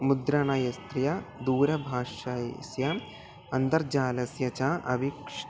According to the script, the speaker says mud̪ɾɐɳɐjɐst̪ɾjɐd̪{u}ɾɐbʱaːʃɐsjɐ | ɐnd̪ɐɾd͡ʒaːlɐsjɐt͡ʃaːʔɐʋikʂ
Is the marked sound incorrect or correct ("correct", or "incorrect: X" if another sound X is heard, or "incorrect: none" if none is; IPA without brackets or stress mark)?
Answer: incorrect: uː